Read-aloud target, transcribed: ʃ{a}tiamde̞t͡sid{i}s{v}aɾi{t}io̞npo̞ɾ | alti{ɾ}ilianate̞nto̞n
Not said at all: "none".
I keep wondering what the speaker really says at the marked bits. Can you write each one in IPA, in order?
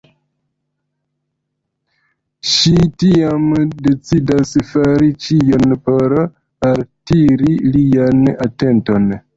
i, a, f, t͡ʃ, ɾ

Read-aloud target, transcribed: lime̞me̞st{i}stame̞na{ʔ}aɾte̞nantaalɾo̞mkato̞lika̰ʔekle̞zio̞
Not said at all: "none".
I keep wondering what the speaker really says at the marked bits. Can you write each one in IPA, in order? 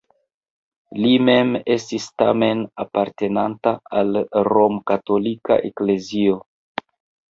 i, p

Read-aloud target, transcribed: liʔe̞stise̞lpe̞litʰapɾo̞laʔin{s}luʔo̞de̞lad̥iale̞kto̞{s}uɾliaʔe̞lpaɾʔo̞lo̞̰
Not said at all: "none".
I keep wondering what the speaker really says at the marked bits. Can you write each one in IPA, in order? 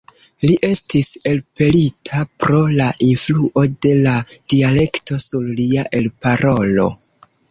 f, s

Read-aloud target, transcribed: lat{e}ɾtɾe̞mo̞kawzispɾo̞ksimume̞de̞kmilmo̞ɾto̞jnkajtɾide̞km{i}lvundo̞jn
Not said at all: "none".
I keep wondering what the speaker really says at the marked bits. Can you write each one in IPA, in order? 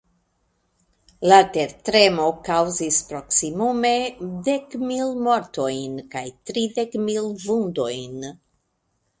e, i

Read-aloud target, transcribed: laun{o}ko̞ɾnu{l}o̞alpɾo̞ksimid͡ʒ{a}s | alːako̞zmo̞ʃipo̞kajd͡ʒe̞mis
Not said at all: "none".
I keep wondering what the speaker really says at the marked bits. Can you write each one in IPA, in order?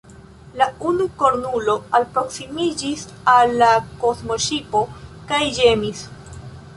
u, l, i

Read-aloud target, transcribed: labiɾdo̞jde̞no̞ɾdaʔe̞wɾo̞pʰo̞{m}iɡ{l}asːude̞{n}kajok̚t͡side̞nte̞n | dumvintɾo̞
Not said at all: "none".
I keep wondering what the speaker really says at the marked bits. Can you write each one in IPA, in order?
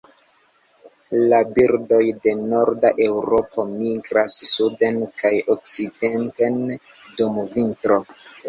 m, ɾ, n

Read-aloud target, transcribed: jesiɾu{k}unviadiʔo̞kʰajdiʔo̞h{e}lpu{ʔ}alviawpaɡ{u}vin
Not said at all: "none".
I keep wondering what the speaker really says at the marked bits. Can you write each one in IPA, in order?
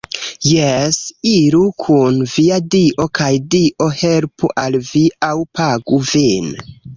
kʰ, e, ʔ, u

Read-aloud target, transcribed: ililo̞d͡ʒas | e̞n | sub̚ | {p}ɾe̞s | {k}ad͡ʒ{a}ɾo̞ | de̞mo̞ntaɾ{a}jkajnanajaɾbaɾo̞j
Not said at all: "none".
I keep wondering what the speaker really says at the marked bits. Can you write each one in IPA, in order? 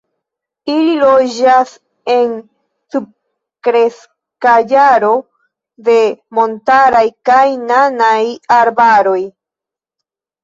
k, k, a, a

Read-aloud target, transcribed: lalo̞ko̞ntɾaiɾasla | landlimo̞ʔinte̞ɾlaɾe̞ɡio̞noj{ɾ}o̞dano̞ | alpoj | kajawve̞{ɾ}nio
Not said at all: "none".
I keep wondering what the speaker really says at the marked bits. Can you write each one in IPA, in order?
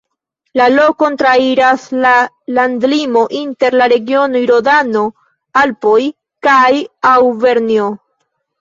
ɾ, ɾ

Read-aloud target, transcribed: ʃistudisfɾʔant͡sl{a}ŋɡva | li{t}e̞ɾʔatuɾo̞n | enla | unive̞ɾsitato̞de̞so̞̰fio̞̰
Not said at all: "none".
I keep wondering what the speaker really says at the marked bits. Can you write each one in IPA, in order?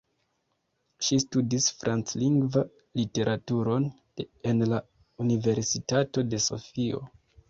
i, t

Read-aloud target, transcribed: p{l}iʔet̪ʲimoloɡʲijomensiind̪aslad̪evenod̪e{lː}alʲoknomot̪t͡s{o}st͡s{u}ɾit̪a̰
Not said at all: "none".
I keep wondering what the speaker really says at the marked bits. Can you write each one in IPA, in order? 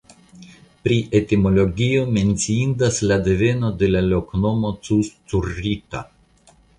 ɾ, l, u, u

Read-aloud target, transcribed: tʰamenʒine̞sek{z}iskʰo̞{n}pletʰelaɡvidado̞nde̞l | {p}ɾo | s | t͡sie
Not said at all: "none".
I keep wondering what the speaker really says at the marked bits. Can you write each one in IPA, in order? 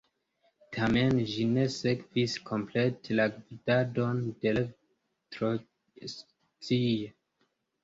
v, m, t

